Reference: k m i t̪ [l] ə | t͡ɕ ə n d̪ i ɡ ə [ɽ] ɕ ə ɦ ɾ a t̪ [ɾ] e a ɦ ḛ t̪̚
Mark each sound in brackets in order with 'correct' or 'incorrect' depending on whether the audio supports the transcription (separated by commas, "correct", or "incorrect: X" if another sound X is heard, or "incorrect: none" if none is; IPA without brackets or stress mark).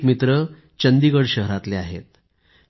incorrect: ɾ, correct, incorrect: l